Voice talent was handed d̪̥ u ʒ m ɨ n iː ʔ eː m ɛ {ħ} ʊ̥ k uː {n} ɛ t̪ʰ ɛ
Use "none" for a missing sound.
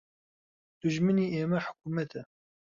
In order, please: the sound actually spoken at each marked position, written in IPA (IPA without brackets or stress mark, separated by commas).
ħ, m